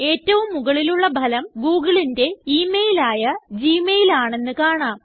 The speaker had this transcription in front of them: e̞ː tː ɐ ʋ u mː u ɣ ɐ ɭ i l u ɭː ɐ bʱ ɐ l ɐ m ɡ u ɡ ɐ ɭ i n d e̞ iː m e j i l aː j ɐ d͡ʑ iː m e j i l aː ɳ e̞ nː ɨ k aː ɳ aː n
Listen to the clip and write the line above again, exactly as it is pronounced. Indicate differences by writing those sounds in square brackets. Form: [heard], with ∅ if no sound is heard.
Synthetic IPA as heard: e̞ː tː ɐ ʋ u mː u ɣ ɐ ɭ i l u ɭː ɐ bʱ ɐ l ɐ m ɡ [uː] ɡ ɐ ɭ i n d e̞ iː m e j i l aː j ɐ d͡ʑ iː m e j i l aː ɳ e̞ nː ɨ k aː ɳ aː [m]